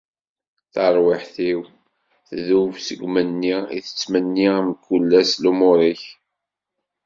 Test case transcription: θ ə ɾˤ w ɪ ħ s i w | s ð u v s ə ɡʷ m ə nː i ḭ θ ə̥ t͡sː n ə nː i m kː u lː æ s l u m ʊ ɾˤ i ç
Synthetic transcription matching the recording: θ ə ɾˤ w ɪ ħ θ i w | θ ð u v s ə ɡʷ m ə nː i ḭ θ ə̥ t͡sː m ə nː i m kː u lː æ s l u m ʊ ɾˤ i ç

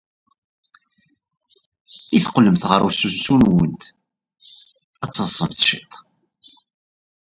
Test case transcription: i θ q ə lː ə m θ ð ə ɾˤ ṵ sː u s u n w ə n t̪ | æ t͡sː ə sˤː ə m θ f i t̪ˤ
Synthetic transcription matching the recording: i θ q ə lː ə m θ ʁ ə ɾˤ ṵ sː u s u n w ə n t̪ | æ t͡sː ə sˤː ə m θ ʃ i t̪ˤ

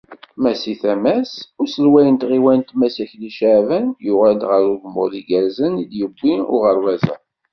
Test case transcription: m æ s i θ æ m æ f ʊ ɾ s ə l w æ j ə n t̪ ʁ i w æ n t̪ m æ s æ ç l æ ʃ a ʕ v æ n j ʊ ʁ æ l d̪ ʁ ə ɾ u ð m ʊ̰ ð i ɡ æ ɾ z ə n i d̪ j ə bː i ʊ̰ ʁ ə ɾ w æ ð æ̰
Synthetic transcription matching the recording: m æ s i θ æ m æ s ʊ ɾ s ə l w æ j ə n t̪ ʁ i w æ n t̪ m æ s æ ç l i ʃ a ʕ v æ n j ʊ ʁ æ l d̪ ʁ ə ɾ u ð m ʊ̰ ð i ɡ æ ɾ z ə n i d̪ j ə bː i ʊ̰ ʁ ə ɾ w æ z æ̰

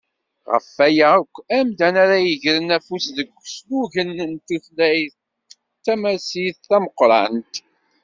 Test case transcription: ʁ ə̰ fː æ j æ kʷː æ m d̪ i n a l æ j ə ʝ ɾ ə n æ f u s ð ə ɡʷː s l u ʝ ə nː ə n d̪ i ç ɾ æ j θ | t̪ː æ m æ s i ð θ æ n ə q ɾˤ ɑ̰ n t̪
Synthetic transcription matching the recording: ʁ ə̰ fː æ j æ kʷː æ m d̪ æ n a ɾ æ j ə ʝ ɾ ə n æ f u s ð ə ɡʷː s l u ʝ ə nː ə n t̪ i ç l æ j θ | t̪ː æ m æ s i θ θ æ m ə q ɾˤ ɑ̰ n t̪

